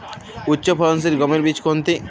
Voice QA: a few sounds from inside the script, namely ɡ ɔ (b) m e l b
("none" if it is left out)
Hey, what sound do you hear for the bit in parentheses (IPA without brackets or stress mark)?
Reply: none